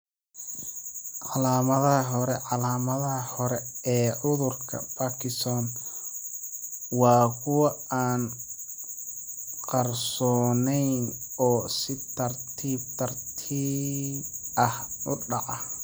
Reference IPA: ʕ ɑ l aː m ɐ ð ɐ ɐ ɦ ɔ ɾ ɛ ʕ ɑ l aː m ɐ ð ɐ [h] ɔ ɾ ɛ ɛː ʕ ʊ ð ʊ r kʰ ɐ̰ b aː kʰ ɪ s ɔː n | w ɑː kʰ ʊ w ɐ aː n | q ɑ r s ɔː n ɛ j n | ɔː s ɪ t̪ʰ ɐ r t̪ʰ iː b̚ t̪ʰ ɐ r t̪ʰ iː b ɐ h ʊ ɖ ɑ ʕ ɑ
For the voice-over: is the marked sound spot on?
yes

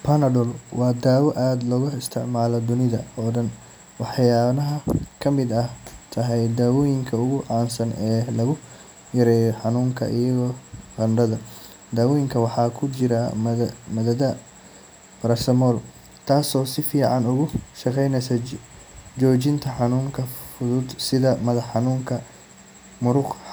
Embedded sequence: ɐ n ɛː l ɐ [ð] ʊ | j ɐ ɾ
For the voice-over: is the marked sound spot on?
no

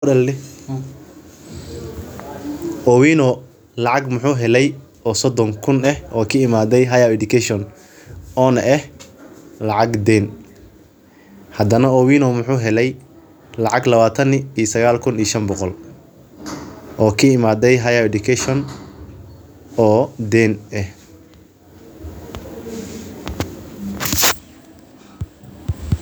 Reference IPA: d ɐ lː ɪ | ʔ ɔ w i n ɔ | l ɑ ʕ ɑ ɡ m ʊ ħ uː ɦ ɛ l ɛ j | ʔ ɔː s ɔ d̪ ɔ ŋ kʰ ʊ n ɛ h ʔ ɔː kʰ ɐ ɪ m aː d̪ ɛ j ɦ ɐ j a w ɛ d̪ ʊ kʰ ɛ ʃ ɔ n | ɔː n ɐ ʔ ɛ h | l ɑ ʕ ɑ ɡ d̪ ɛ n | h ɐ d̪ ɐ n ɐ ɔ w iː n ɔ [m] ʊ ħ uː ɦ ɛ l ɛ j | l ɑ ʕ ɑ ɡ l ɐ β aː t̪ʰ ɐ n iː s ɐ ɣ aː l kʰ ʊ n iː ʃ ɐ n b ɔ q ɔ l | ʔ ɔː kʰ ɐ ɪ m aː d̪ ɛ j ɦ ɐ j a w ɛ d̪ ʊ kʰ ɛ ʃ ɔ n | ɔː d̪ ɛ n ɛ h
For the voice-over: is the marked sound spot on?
yes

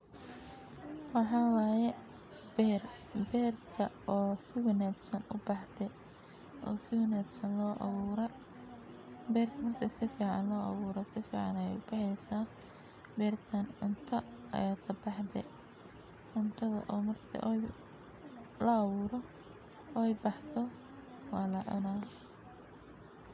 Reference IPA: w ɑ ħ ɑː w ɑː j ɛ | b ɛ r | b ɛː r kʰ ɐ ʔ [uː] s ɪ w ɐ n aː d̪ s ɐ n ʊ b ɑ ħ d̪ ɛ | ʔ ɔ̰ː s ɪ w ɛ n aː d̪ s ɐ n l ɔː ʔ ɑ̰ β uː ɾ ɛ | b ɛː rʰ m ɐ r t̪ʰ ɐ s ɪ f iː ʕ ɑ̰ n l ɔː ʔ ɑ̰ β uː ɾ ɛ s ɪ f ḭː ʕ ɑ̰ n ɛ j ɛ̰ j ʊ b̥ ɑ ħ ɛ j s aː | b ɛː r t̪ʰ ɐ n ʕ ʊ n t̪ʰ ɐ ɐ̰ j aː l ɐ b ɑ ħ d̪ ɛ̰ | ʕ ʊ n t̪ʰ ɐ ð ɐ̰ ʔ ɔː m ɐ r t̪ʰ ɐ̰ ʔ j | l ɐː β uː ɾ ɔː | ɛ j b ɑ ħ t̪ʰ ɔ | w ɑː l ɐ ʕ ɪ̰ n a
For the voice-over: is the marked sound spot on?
no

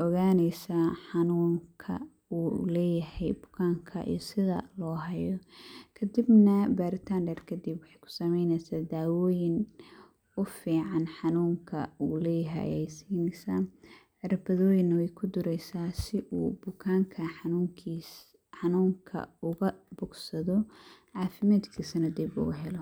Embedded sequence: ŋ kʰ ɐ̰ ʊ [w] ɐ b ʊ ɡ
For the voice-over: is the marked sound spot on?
no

